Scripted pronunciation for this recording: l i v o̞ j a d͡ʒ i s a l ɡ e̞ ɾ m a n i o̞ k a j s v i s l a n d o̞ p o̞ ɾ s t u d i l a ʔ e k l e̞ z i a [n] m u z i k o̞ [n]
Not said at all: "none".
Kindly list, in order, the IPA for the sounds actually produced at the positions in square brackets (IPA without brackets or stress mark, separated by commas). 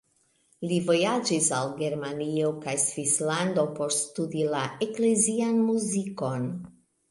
n, n